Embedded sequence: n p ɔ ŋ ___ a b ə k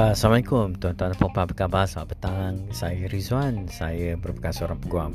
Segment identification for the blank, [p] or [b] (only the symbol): p